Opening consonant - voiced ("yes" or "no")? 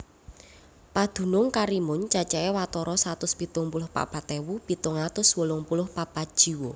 no